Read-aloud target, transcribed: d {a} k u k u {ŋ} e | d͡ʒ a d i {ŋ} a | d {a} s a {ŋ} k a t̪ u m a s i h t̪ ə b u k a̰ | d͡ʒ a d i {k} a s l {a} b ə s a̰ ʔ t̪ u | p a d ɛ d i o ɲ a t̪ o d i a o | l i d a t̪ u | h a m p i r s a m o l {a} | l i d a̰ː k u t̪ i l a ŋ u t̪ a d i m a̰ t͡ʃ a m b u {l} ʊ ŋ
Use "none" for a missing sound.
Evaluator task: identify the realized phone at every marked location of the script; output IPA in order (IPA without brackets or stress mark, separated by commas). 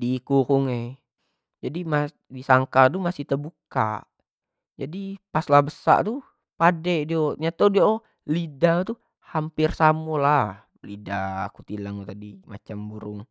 i, ŋ, m, i, ŋ, p, a, a, ɾ